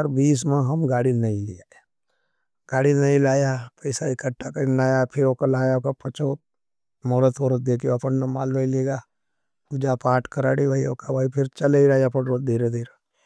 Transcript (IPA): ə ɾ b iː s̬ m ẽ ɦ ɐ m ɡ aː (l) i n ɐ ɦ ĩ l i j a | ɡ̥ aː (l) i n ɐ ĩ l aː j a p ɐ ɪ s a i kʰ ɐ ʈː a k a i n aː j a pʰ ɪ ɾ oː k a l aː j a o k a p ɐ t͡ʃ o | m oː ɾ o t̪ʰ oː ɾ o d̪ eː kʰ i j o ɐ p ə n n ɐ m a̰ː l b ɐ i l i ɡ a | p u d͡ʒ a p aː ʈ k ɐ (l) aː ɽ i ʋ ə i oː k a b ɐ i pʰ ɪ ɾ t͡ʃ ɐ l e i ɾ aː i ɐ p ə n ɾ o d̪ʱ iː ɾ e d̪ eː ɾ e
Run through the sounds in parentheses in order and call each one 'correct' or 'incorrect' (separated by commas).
incorrect, incorrect, incorrect